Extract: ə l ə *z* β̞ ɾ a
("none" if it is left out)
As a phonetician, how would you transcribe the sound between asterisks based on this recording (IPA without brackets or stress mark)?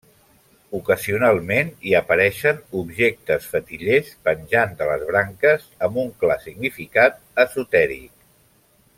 z